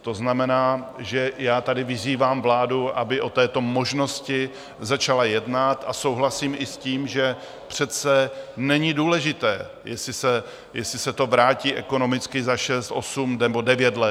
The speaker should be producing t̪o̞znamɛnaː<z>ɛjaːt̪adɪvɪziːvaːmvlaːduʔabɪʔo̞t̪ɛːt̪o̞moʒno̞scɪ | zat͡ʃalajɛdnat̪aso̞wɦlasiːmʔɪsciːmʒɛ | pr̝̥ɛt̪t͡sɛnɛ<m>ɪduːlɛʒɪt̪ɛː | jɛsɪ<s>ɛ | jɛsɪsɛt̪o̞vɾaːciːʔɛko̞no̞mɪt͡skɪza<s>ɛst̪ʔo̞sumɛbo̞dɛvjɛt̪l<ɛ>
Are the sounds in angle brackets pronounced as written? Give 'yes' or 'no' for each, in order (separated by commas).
no, no, yes, no, yes